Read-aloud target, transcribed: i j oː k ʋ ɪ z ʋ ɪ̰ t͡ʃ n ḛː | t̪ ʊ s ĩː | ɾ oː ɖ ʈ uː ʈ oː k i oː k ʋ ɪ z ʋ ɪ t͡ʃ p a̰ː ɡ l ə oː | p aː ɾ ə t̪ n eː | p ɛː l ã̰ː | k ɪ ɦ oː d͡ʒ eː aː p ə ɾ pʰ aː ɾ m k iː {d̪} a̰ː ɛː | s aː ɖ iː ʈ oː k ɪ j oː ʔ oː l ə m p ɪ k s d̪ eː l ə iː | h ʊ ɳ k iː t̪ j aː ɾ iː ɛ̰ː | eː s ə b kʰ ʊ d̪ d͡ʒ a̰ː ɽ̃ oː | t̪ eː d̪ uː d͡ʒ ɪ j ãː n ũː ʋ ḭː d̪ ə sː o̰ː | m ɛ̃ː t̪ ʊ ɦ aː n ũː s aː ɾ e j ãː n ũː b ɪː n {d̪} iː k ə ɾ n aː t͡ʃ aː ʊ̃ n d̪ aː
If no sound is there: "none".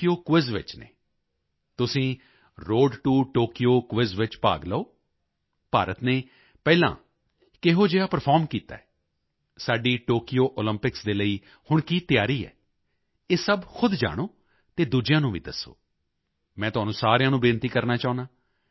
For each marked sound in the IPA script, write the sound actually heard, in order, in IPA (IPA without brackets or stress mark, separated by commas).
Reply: t̪, t̪